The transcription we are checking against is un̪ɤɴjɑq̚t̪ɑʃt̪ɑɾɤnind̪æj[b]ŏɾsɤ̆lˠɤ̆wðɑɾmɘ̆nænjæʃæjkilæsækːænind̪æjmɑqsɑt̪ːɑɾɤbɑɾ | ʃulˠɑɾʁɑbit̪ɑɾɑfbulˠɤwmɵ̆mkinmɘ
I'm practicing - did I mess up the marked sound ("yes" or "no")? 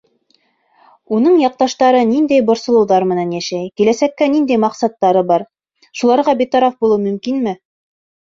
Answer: no